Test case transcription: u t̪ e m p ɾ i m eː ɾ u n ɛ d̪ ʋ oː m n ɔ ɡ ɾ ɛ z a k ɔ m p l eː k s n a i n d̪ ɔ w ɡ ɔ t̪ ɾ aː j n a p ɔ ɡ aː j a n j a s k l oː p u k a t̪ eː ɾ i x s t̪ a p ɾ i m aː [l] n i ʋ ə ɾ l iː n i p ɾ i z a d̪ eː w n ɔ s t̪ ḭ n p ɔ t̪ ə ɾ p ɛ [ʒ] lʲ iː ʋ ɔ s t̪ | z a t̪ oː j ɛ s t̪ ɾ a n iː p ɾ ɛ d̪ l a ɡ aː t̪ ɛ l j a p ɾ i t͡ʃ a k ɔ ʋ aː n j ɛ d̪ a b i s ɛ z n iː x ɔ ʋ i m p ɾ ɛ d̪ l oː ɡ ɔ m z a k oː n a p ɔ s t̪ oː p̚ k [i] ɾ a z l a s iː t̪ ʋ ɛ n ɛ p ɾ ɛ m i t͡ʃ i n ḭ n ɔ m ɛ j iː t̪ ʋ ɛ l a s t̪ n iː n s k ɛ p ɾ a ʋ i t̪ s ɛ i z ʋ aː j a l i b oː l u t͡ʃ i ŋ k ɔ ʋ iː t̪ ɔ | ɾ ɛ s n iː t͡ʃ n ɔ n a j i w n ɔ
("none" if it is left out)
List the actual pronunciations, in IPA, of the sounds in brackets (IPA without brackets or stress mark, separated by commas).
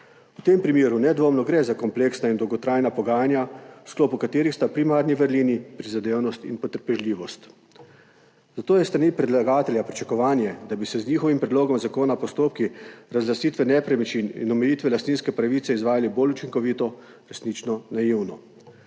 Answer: ɾ, ʒ, i